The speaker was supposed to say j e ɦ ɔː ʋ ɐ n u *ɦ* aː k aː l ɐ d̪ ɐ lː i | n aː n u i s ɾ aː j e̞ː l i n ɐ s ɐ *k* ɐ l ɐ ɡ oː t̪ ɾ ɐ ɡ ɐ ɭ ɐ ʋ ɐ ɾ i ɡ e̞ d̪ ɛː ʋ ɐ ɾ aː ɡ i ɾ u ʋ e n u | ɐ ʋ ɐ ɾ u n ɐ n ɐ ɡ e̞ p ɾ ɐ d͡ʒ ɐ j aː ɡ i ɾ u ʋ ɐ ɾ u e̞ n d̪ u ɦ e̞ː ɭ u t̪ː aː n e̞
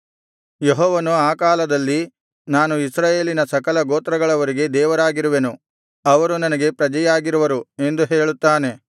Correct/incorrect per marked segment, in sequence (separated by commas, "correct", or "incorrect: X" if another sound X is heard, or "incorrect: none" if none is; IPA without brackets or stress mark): incorrect: none, correct